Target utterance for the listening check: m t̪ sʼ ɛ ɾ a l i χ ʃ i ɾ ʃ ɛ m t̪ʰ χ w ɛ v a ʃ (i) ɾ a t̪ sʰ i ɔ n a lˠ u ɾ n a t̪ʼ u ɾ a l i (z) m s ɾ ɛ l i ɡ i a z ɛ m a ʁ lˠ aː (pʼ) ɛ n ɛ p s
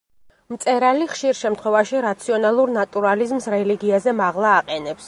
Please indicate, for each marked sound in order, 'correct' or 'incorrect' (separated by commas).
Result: correct, correct, incorrect